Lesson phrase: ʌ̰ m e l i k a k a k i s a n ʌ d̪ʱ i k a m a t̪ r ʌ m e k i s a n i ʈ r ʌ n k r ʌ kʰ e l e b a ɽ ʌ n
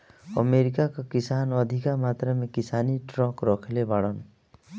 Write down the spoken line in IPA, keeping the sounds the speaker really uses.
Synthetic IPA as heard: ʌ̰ m e ɾ i k a k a k i s a n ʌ d̪ʱ i k a m a t̪ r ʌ m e k i s a n i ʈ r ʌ k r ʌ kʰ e l e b a ɽ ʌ n